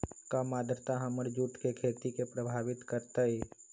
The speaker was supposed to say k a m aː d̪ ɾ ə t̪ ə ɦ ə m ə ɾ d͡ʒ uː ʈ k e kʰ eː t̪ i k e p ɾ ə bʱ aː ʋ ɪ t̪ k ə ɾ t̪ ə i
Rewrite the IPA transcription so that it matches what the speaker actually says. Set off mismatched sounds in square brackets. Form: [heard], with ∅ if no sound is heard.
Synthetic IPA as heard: k a m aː d̪ ɾ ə t̪ [a] ɦ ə m ə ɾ d͡ʒ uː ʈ k e kʰ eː t̪ i k e p ɾ ə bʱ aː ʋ ɪ t̪ k ə ɾ t̪ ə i